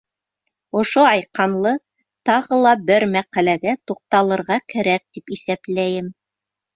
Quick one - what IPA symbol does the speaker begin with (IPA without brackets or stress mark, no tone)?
ŏ